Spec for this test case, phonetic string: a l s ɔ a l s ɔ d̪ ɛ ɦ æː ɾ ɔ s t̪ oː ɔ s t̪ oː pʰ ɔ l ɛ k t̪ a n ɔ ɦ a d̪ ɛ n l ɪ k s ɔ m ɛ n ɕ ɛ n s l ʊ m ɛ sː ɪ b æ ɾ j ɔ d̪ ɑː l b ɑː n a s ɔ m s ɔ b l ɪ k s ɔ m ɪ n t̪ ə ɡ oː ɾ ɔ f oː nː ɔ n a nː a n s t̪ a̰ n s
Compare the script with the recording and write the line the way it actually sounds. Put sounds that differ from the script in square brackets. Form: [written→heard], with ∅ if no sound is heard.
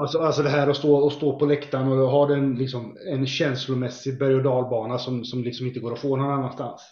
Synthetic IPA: a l s ɔ a l s ɔ d̪ ɛ ɦ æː ɾ ɔ s t̪ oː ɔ s t̪ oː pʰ ɔ l ɛ k t̪ a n ɔ ɦ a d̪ ɛ n l ɪ k s ɔ m ɛ n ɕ ɛ n s l ʊ m ɛ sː ɪ b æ ɾ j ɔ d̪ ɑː l b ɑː n a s ɔ m s ɔ [b→m] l ɪ k s ɔ m ɪ n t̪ ə ɡ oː ɾ ɔ f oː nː ɔ n a nː a n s t̪ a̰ n s